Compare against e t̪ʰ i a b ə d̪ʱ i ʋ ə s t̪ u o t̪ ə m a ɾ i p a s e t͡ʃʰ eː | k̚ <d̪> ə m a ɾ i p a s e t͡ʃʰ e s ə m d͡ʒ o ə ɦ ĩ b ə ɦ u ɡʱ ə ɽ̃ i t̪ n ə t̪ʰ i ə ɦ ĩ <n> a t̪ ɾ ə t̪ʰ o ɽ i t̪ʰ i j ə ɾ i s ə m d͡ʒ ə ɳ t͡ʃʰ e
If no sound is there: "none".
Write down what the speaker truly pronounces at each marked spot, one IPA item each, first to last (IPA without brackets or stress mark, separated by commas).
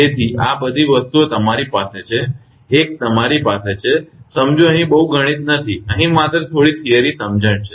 t̪, m